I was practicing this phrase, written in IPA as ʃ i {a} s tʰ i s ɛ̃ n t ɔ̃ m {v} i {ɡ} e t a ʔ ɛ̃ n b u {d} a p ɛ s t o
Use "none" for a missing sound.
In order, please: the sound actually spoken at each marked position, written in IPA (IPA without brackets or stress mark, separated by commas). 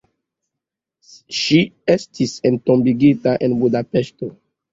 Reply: ɛ, b, ɡ, d